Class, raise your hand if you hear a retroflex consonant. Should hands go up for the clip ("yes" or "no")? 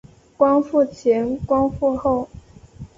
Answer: no